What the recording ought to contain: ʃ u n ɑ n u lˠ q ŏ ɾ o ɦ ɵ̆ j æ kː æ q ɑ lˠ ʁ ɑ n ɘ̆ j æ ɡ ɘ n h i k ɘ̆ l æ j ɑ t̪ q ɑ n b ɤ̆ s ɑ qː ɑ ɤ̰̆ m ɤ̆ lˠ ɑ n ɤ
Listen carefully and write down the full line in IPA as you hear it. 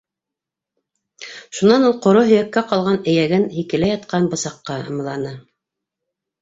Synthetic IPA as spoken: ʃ u n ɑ n u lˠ q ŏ ɾ o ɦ ɵ̆ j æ kː æ q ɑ lˠ ʁ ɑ n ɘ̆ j æ ɡ ɘ n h i k ɘ̆ l æ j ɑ t̪ q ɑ n b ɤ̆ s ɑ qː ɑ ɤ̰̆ m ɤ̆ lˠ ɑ n ɤ